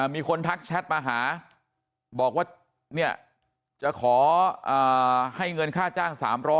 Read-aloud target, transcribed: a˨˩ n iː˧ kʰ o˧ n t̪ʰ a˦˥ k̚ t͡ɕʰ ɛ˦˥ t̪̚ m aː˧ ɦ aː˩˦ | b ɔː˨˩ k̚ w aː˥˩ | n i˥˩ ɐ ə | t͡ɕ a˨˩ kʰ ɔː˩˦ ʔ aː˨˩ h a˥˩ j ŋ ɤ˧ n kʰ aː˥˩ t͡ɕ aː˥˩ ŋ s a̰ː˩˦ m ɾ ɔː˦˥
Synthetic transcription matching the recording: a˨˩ m iː˧ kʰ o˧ n t̪ʰ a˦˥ k̚ t͡ɕʰ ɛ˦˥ t̪̚ m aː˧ ɦ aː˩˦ | b ɔː˨˩ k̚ w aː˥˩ | n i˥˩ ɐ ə | t͡ɕ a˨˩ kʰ ɔː˩˦ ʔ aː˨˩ h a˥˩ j ŋ ɤ˧ n kʰ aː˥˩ t͡ɕ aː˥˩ ŋ s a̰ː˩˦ m ɾ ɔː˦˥